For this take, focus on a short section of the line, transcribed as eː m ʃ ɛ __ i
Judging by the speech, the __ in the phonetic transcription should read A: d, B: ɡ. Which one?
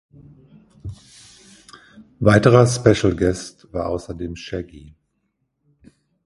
B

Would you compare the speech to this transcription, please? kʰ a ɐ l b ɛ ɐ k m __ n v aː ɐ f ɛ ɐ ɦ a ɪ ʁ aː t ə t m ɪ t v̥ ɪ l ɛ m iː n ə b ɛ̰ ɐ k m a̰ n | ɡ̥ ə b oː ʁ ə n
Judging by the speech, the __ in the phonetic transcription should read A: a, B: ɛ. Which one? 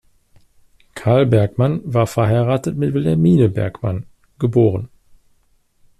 A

